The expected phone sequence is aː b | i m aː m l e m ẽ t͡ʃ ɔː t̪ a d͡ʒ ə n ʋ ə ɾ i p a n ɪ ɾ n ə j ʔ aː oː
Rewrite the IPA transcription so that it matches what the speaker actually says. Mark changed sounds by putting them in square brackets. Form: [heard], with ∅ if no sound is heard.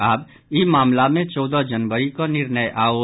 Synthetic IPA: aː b | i m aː m l [a] m ẽ t͡ʃ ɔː [d̪] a d͡ʒ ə n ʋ ə ɾ i [k] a n ɪ ɾ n ə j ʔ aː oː